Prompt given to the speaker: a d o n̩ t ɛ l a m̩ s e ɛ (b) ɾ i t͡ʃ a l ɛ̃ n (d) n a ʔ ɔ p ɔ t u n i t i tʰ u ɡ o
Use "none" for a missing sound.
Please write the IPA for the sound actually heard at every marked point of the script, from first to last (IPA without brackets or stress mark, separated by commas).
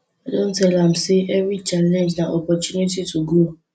v, d͡ʒ